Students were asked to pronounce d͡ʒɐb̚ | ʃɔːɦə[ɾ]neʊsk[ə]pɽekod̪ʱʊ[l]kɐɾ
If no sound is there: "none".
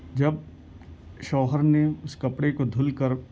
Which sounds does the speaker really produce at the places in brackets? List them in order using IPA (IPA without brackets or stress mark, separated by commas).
ɾ, ɐ, l